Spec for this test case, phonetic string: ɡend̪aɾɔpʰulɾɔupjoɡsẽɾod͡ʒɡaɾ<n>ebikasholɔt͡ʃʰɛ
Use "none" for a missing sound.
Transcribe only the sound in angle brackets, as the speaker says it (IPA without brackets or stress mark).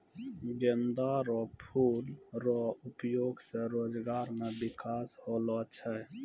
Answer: m